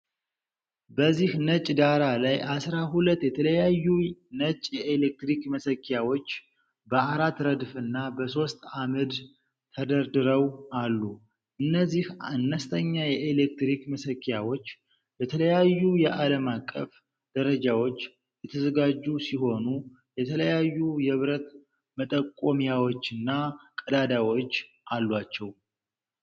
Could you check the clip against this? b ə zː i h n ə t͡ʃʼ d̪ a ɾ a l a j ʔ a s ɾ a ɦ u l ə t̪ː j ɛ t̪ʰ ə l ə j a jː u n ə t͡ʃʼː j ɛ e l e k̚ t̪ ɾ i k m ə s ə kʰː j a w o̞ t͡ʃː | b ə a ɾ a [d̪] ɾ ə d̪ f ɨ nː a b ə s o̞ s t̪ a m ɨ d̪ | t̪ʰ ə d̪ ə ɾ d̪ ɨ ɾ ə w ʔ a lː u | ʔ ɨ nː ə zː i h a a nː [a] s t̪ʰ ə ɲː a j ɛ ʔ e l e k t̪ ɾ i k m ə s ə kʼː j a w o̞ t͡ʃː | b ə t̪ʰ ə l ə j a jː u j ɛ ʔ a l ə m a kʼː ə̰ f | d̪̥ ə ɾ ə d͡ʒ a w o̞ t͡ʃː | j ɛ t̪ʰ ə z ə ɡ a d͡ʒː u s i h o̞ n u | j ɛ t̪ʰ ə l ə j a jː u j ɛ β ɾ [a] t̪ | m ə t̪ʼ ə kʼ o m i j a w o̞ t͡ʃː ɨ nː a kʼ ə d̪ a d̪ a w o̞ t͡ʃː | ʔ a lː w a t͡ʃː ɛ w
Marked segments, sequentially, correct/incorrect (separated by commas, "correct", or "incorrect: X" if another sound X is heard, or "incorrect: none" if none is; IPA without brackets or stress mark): incorrect: t̪, incorrect: ə, incorrect: ə